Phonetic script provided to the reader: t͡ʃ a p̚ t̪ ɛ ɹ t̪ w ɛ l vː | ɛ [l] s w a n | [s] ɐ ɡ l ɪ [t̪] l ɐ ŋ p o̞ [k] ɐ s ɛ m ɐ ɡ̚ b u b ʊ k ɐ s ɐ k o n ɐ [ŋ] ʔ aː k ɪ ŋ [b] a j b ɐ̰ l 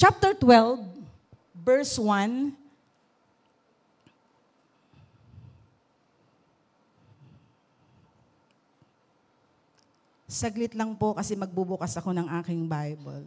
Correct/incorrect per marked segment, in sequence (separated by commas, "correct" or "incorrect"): incorrect, correct, correct, correct, correct, correct